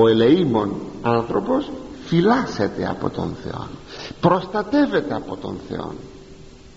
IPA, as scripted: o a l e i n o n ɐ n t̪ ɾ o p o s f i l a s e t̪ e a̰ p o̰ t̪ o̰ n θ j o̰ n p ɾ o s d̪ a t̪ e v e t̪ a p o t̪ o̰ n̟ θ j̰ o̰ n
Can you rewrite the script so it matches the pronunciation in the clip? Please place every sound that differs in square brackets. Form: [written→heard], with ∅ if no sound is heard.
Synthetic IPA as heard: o [a→e] l e i [n→m] o n [ɐ→a] n t̪ ɾ o p o s f i l a s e t̪ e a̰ p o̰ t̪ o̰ n θ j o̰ n p ɾ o s [d̪→t̪] a t̪ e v e t̪ a p o t̪ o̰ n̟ θ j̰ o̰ n